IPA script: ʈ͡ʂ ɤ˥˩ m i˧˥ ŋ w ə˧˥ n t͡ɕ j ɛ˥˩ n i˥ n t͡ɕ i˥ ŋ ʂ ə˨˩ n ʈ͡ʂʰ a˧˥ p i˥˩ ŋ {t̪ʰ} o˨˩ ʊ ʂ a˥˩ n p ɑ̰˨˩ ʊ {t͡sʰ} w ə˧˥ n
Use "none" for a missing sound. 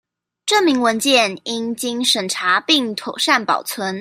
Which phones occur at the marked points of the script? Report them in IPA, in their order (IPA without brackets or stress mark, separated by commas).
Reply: t̪ʰ, t͡sʰ